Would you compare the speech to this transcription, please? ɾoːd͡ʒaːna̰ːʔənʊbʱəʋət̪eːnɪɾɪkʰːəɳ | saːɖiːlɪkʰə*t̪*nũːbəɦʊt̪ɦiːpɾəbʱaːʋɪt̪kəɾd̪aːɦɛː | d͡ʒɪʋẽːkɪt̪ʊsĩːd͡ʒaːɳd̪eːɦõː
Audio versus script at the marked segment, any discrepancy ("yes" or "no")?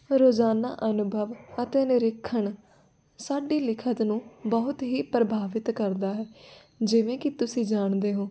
no